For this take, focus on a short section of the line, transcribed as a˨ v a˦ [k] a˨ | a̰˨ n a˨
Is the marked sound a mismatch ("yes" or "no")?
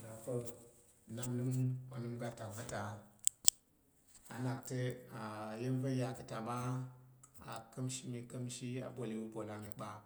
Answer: yes